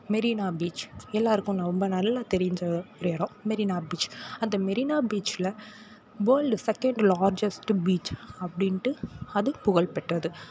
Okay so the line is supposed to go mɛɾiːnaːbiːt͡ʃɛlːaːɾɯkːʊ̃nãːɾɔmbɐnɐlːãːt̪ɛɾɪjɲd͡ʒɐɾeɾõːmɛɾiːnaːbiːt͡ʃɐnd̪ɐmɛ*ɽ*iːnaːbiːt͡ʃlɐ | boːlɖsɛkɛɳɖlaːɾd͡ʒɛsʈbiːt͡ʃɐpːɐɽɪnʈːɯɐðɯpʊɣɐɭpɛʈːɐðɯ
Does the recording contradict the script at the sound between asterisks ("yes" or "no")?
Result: yes